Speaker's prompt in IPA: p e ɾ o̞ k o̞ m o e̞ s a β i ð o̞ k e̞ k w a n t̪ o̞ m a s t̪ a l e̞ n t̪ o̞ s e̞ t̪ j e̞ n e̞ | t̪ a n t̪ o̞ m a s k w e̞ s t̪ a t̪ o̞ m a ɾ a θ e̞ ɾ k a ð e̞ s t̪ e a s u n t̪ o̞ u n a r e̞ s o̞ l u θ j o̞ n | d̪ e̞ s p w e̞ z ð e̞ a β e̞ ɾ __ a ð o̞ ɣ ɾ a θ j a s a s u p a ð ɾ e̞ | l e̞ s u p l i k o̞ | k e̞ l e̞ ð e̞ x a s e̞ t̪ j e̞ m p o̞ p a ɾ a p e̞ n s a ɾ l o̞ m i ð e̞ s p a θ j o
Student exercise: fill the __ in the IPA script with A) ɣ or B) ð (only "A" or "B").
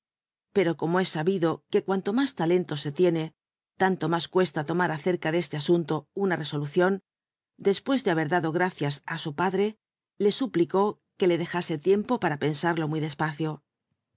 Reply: B